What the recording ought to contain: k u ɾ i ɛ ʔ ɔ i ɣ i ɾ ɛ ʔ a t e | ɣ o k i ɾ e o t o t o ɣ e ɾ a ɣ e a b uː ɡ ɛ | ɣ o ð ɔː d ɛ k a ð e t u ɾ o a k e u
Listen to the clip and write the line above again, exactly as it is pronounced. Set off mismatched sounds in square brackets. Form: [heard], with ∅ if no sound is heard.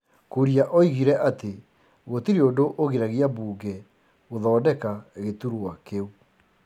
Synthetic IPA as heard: k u ɾ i [a] ʔ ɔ i ɣ i ɾ ɛ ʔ a t e | ɣ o [t] i ɾ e o [d] o [ʔ] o ɣ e ɾ a ɣ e a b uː ɡ ɛ | ɣ o ð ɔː d ɛ k a [ɣ] e t u ɾ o a k e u